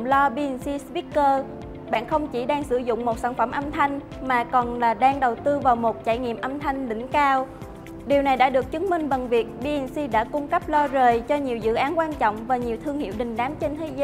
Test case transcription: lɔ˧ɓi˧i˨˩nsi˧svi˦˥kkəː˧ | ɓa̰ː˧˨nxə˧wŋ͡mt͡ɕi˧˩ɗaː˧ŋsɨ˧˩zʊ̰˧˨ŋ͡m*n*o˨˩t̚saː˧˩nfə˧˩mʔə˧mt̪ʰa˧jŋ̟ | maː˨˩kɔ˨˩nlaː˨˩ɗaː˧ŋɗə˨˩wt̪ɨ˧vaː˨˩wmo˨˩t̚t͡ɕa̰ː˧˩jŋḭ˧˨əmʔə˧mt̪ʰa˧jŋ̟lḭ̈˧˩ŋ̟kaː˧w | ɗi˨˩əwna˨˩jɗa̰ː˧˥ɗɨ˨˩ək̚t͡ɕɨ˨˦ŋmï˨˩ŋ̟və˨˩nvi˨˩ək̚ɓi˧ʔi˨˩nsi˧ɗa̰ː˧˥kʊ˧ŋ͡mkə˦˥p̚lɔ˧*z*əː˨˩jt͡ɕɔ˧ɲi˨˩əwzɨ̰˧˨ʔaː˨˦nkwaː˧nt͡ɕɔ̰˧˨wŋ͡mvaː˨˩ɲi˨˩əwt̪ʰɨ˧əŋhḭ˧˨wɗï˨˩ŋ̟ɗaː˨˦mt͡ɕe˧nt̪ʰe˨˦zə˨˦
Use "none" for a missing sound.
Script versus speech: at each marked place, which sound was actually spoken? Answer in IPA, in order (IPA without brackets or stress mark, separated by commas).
m, z